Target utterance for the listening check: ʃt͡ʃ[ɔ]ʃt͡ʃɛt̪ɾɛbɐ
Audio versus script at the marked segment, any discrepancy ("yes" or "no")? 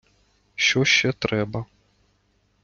no